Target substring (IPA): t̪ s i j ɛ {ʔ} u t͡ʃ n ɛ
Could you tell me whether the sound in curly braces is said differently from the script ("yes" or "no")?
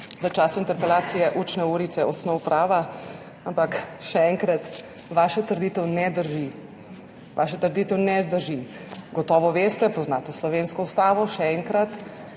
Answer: no